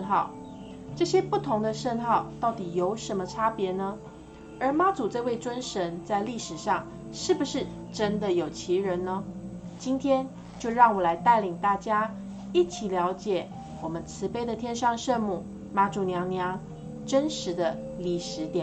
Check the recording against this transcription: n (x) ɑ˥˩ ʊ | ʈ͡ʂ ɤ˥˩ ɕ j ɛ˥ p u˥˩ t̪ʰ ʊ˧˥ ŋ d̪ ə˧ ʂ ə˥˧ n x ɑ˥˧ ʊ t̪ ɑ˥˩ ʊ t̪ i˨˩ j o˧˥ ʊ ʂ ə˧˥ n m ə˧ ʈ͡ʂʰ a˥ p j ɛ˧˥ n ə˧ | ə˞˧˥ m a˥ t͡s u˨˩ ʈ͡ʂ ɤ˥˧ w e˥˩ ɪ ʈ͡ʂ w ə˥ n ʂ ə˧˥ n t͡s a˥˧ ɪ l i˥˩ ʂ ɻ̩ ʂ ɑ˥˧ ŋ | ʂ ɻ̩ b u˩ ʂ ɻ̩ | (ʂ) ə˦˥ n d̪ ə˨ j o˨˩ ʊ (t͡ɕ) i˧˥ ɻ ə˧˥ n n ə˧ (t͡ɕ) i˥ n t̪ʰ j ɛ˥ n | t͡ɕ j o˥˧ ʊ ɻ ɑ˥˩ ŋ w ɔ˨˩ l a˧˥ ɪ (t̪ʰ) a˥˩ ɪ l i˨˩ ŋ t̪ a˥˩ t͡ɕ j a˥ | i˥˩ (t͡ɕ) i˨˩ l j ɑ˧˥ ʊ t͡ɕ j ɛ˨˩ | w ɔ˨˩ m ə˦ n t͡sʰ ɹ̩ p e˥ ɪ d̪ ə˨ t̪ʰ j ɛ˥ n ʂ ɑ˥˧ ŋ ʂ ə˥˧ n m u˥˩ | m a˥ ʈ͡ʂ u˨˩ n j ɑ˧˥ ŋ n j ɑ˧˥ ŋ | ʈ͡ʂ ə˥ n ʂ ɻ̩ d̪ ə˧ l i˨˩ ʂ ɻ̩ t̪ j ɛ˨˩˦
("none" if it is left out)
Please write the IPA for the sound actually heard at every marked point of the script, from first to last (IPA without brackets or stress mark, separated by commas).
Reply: x, ʈ͡ʂ, t͡ɕʰ, t͡ɕ, t̪, t͡ɕʰ